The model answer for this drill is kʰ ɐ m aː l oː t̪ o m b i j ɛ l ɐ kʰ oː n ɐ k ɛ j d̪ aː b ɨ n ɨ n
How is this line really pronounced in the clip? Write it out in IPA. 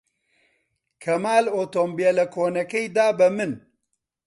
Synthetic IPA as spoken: kʰ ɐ m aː l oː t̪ o m b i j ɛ l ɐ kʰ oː n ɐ k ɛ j d̪ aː b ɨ m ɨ n